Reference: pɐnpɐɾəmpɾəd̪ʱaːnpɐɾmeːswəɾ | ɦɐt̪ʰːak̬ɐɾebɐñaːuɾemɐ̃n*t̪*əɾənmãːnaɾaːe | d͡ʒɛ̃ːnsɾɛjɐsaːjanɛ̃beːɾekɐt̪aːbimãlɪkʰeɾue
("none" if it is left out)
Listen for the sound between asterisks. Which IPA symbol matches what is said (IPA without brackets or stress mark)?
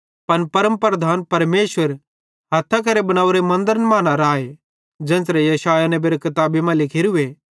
d̪